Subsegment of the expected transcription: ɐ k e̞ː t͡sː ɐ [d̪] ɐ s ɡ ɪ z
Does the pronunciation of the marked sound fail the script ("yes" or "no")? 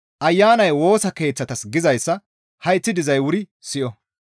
yes